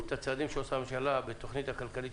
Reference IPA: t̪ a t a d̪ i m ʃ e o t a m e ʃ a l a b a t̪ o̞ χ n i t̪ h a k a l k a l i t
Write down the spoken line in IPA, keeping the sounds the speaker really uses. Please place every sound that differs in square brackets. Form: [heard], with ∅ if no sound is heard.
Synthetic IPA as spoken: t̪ a [t͡s] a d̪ i m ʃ e o [s] a m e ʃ a l a b [e] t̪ o̞ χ n i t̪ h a k a l k a l i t